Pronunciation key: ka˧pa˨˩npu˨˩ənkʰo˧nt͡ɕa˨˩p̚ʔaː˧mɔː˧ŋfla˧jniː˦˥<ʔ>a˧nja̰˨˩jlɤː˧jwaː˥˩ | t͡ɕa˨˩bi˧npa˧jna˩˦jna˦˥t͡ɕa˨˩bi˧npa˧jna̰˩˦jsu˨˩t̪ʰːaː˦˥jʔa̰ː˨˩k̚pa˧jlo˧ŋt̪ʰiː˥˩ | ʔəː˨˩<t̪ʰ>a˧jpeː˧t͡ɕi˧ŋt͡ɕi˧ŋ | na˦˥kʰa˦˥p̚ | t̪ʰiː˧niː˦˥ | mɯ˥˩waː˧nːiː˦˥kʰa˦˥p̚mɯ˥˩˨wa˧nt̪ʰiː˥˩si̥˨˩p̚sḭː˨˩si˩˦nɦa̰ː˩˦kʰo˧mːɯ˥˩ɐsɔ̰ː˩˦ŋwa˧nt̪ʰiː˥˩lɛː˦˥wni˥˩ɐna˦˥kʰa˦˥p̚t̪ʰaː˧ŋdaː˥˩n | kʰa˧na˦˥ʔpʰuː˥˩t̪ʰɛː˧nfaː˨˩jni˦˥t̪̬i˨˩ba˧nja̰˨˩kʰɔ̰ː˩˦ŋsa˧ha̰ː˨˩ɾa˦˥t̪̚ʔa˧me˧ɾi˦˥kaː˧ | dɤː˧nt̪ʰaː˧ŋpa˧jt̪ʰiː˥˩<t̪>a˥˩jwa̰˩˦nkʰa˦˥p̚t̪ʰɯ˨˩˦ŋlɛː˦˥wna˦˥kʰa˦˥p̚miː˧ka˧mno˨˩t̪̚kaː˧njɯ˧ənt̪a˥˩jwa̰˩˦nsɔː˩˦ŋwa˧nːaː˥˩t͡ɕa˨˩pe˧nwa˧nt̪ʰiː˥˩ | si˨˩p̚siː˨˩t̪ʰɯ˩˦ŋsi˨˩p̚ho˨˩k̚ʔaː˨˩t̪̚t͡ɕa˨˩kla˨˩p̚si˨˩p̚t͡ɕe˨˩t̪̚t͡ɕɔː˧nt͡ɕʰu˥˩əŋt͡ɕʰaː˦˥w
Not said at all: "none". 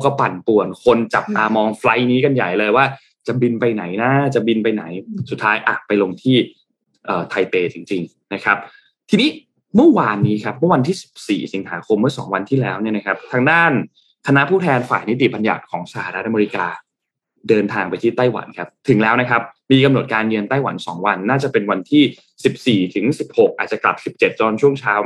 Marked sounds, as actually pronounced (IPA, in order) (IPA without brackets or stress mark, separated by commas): k, t̪ʰ, t̪